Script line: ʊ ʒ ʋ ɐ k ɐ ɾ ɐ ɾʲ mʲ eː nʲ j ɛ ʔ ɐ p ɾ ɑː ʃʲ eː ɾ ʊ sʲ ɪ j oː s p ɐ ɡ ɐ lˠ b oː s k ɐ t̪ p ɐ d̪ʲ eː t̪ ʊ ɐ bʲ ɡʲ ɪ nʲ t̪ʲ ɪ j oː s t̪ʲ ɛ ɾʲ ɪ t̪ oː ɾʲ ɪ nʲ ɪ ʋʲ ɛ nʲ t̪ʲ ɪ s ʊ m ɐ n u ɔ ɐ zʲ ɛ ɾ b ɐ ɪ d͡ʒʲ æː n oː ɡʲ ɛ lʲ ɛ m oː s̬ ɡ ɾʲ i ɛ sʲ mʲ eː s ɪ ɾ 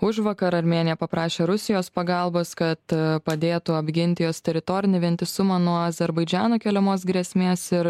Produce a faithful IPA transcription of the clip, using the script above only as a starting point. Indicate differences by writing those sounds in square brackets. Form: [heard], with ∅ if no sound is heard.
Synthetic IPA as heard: ʊ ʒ ʋ ɐ k ɐ ɾ ɐ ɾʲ mʲ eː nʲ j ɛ [p] ɐ p ɾ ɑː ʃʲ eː ɾ ʊ sʲ ɪ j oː s p ɐ ɡ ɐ lˠ b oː s k ɐ t̪ p ɐ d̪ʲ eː t̪ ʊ ɐ bʲ ɡʲ ɪ nʲ t̪ʲ ɪ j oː s t̪ʲ ɛ ɾʲ ɪ t̪ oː ɾʲ ɪ nʲ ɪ ʋʲ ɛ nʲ t̪ʲ ɪ s ʊ m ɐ n u ɔ ɐ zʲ ɛ ɾ b ɐ ɪ d͡ʒʲ æː n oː [kʲ] ɛ lʲ ɛ m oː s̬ ɡ ɾʲ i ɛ sʲ mʲ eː s ɪ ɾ